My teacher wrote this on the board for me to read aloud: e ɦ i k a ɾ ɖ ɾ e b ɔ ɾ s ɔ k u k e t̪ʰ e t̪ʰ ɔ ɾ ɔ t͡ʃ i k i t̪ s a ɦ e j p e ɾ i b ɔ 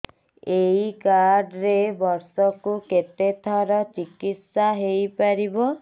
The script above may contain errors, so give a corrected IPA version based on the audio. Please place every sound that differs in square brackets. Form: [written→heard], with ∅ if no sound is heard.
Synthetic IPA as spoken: e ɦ i k a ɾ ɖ ɾ e b ɔ ɾ s ɔ k u k e [t̪ʰ→t̪] e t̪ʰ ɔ ɾ ɔ t͡ʃ i k i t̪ s a ɦ e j p [e→a] ɾ i b ɔ